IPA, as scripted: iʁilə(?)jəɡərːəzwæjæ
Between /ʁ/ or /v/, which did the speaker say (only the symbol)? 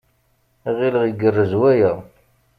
ʁ